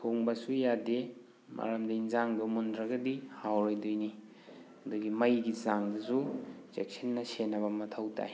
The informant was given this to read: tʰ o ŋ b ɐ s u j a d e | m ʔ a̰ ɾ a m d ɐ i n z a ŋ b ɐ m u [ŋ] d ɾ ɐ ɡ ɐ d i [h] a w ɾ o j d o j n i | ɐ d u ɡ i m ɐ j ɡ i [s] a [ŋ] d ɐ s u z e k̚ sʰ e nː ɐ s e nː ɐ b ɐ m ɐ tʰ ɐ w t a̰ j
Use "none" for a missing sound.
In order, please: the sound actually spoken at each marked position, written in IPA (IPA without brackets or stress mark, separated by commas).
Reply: n, h, z, ŋ